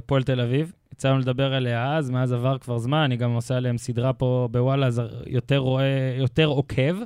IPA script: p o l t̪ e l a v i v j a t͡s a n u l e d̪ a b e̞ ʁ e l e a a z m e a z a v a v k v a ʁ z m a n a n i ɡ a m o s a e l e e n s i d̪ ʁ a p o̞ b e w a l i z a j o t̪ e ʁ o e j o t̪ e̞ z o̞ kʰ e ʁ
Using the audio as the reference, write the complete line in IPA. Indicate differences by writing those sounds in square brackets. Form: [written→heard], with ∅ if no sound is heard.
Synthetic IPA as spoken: p o l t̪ e l a v i v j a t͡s a n u l e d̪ a b e̞ ʁ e l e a a z m e a z a v a [v→ʁ] k v a ʁ z m a n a n i ɡ a m o s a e l e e [n→m] s i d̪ ʁ a p o̞ b e w a l [i→a] z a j o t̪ e ʁ o e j o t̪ e̞ [z→ʁ] o̞ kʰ e [ʁ→v]